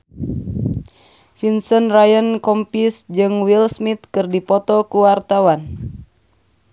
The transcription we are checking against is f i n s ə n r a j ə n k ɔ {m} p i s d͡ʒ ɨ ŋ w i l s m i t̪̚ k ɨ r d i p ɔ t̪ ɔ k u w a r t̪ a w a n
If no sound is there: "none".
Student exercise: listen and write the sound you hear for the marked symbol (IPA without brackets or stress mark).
m